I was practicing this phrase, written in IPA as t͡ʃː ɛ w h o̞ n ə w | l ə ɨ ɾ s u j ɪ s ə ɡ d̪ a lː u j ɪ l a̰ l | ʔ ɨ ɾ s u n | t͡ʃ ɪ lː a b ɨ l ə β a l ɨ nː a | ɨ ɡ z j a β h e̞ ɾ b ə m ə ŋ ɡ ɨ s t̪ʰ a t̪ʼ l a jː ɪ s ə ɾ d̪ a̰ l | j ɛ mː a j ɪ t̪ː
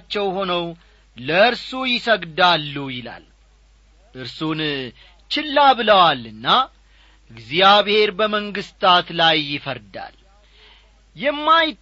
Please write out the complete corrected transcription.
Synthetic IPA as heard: t͡ʃː ɛ w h o̞ n ə w | l ə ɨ ɾ s u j ɪ s ə ɡ d̪ a lː u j ɪ l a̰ l | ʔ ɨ ɾ s u n | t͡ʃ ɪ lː a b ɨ l ə w a l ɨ nː a | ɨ ɡ z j a β h e̞ ɾ b ə m ə ŋ ɡ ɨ s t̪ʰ a t̪ l a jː ɪ f ə ɾ d̪ a̰ l | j ɛ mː a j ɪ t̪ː